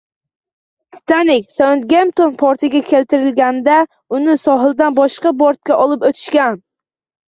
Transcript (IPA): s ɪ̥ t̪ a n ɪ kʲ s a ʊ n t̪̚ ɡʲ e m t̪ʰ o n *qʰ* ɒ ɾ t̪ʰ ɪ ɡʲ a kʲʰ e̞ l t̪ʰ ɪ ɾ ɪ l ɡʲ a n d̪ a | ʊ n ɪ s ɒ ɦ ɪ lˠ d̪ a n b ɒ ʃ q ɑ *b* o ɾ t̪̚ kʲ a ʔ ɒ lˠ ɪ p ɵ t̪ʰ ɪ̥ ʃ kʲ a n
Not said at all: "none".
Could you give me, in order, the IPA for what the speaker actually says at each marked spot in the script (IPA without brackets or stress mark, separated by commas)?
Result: pʰ, b